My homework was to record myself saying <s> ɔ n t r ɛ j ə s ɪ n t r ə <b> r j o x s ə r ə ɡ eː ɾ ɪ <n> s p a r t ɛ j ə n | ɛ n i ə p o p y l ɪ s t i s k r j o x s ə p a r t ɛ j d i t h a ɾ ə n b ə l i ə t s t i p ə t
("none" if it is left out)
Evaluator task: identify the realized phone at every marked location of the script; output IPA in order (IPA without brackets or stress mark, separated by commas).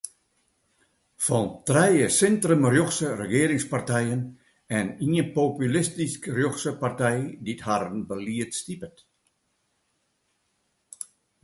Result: f, m, ŋ